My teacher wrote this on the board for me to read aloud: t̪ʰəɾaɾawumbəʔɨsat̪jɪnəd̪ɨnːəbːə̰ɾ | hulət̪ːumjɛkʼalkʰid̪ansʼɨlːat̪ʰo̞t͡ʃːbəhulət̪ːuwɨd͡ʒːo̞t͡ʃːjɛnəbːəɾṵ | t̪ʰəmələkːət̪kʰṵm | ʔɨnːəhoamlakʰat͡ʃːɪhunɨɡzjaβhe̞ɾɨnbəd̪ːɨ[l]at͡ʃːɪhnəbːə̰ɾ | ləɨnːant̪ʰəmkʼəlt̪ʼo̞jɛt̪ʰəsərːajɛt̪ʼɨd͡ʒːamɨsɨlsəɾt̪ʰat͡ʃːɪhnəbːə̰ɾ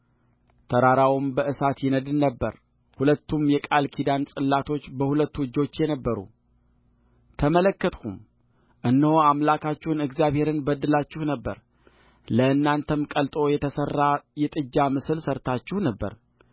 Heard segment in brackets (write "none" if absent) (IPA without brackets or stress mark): l